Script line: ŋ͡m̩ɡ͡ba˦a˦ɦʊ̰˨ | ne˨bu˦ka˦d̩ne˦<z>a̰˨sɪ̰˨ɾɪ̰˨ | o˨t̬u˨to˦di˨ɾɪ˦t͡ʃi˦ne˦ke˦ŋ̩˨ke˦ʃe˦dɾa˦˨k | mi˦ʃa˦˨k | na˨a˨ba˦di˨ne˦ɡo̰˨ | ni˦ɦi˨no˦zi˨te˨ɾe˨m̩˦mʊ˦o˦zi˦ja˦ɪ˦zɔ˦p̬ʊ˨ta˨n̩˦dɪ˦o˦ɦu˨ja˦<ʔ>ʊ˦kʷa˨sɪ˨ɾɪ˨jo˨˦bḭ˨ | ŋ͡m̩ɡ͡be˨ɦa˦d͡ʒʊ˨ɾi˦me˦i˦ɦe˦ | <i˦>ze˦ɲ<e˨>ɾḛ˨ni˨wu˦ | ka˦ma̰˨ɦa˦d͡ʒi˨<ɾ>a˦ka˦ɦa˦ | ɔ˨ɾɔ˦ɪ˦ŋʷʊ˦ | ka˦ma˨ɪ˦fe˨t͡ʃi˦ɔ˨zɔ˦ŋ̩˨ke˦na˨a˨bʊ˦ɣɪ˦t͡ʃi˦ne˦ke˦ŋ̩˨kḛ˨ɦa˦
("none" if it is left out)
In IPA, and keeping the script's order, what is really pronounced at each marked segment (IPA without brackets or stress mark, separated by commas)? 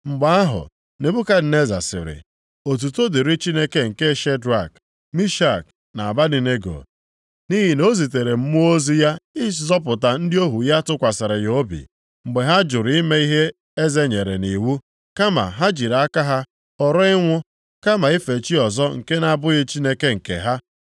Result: z, t, e˦, e˨, ɾ